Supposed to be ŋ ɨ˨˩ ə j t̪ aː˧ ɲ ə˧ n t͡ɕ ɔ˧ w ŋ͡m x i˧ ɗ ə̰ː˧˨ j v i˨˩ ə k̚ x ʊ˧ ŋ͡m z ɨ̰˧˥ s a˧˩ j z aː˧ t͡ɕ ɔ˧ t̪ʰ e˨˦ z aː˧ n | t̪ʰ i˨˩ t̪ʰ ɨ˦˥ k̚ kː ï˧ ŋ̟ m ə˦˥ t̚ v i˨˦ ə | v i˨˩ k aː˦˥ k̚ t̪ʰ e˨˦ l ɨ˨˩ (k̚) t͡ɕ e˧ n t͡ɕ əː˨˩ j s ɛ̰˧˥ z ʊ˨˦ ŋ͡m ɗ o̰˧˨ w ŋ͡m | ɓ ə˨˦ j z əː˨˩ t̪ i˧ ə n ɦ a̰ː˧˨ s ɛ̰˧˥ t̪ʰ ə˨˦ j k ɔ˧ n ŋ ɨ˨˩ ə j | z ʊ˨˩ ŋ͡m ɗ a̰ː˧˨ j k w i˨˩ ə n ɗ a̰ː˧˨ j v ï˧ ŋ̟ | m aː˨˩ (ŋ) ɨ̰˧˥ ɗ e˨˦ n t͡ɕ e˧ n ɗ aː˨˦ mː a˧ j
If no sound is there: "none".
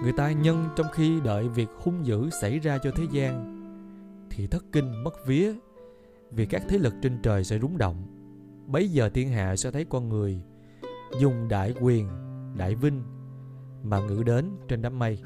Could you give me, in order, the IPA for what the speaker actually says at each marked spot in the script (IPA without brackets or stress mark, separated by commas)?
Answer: k̚, ŋ